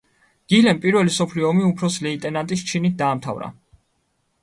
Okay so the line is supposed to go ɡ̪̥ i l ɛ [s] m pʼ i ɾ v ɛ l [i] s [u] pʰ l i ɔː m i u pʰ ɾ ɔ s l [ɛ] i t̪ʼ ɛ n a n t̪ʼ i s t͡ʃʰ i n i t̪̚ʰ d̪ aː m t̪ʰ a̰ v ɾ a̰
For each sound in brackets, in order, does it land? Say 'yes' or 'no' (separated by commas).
no, yes, no, yes